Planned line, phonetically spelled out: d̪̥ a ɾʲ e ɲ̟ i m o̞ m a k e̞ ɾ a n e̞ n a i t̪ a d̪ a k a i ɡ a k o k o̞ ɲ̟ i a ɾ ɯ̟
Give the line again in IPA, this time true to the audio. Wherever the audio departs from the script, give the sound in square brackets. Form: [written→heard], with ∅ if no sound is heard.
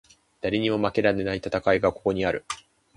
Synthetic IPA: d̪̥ a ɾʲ e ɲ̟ i m o̞ m a k e̞ ɾ a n e̞ n a i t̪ a [d̪→t̪] a k a i ɡ a k o k o̞ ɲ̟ i a ɾ ɯ̟